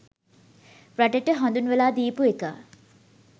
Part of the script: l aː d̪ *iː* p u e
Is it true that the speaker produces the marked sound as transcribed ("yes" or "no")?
yes